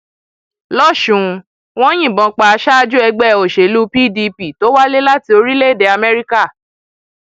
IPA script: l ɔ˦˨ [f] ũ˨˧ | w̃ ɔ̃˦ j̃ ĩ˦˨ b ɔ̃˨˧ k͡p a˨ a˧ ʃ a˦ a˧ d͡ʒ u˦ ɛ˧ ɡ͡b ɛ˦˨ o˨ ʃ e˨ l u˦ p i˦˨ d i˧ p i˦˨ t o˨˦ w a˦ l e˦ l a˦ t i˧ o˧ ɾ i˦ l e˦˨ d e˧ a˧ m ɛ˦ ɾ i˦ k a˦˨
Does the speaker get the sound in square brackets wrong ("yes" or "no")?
yes